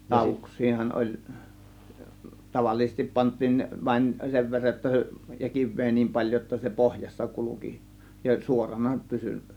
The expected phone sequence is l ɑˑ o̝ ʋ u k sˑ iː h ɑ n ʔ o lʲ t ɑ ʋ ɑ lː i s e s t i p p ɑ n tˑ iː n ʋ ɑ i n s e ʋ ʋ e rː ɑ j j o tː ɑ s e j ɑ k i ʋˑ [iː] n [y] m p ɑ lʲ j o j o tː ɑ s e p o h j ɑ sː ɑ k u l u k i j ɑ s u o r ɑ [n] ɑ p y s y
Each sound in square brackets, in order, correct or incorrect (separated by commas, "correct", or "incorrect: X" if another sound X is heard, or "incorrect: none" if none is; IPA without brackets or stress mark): incorrect: eː, incorrect: i, correct